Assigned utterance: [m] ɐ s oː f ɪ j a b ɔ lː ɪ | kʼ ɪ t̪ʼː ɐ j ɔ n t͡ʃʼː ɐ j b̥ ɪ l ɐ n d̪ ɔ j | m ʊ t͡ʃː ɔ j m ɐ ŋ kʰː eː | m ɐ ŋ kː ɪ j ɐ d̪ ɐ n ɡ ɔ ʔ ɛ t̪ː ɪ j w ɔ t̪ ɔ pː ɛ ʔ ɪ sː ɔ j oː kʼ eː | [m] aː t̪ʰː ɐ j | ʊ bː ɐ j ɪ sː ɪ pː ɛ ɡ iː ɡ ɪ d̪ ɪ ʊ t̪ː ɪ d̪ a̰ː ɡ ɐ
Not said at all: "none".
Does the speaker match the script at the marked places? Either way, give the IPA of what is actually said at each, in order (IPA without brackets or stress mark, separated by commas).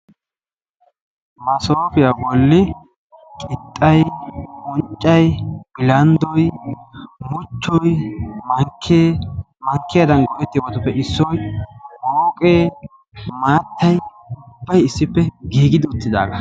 m, m